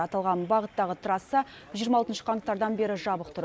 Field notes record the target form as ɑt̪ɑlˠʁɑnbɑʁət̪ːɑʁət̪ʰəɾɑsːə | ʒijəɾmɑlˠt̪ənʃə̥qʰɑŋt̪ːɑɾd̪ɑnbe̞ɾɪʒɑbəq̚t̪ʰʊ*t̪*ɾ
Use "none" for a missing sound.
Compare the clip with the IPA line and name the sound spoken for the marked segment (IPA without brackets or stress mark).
none